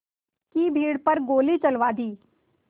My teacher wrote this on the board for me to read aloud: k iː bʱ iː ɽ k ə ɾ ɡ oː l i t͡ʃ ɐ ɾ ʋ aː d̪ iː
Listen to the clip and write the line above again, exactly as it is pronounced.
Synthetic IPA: k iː bʱ iː ɽ p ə ɾ ɡ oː l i t͡ʃ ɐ l ʋ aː d̪ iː

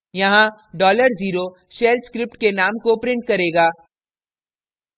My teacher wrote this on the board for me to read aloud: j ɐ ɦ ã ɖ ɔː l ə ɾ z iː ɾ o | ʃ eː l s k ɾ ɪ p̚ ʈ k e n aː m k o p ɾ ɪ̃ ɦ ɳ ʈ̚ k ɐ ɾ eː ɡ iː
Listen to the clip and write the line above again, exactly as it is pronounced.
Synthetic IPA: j ɐ ɦ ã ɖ ɔː l ə ɾ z iː ɾ o | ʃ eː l s k ɾ ɪ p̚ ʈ k e n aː m k o p ɾ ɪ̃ ɳ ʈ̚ k ɐ ɾ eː ɡ aː

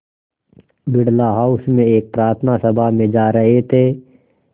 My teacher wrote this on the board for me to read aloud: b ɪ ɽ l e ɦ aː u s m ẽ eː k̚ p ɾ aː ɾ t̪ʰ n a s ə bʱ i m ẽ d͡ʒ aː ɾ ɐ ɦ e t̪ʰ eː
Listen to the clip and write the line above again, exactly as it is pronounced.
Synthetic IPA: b ɪ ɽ l a ɦ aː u s m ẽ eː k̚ p ɾ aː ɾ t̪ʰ n a s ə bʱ a m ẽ d͡ʒ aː ɾ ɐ ɦ e t̪ʰ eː

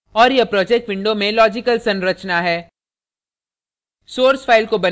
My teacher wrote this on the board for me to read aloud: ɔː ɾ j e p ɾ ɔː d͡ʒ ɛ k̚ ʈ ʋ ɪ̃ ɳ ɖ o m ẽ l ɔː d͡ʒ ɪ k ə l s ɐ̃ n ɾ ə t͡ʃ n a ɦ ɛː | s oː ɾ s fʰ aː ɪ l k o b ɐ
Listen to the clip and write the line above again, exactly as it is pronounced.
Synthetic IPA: ɔː ɾ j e p ɾ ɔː d͡ʒ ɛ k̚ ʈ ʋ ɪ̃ ɳ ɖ o m ẽ l ɔː d͡ʒ ɪ k ə l s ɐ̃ n ɾ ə t͡ʃ n a ɦ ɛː | s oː ɾ s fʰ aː ɪ l k o b ɐ

